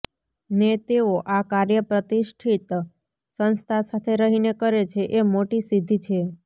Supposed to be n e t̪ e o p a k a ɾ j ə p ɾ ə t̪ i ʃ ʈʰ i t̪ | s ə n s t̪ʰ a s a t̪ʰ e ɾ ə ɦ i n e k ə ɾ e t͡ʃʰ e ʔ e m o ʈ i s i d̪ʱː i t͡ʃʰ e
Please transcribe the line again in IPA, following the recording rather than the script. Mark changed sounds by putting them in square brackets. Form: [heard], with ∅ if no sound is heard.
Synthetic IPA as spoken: n e t̪ e o [ʔ] a k a ɾ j ə p ɾ ə t̪ i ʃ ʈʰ i t̪ | s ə n s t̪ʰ a s a t̪ʰ e ɾ ə ɦ i n e k ə ɾ e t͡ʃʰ e ʔ e m o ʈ i s i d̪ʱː i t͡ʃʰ e